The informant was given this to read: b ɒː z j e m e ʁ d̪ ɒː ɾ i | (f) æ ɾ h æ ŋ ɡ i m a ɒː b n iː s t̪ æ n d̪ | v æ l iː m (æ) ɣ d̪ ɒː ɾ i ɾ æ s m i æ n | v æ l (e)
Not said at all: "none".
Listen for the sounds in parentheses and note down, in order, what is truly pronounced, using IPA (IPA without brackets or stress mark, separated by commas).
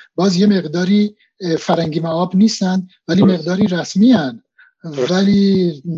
f, e, i